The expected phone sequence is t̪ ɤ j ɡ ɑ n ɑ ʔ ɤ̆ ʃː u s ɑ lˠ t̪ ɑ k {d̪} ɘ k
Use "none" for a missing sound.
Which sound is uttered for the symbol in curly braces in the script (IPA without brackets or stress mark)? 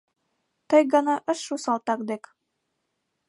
d̪